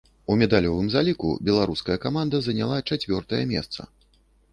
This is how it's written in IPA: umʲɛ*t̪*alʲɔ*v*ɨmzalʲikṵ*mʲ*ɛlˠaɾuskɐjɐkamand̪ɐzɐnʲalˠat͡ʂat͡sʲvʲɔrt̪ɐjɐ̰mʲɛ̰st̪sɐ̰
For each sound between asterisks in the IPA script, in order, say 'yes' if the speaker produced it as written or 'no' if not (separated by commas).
no, yes, no